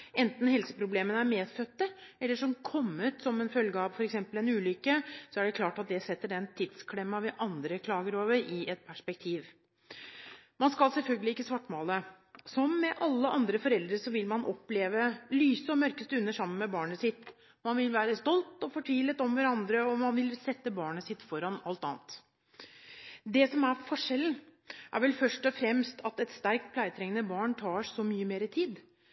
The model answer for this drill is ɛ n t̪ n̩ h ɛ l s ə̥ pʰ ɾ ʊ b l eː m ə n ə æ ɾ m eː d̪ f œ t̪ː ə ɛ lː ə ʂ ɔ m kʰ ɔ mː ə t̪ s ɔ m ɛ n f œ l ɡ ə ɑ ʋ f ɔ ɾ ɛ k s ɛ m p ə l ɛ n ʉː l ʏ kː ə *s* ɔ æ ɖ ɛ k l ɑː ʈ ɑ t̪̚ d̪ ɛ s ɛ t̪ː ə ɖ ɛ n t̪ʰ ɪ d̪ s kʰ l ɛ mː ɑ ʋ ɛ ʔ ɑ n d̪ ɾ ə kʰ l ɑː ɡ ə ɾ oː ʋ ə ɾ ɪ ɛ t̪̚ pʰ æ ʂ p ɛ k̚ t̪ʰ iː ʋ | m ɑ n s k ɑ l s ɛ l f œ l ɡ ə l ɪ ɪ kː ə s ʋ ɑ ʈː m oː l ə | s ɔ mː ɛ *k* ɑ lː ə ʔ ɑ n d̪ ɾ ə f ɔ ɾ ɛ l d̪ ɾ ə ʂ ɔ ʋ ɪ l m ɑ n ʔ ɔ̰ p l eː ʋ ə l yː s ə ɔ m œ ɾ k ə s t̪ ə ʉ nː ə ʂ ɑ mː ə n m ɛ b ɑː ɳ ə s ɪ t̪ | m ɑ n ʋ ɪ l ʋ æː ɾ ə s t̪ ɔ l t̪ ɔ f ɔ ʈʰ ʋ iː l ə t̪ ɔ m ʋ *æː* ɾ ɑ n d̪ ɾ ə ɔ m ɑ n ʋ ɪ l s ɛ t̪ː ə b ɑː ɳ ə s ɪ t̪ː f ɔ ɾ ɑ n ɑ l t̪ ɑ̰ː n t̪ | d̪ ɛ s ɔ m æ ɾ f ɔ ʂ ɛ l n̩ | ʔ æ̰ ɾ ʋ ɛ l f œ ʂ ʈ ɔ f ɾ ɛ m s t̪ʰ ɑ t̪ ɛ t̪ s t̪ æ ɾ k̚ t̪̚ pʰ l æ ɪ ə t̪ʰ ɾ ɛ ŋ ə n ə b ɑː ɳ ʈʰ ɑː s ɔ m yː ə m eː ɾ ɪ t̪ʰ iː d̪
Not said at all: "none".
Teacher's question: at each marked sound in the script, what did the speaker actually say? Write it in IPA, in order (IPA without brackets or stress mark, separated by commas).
s, ʔ, æ